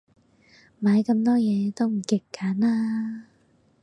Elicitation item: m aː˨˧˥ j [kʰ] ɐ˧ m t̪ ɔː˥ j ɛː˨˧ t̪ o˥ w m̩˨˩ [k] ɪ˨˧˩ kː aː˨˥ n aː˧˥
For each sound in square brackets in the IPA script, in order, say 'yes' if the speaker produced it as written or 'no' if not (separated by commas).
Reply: no, yes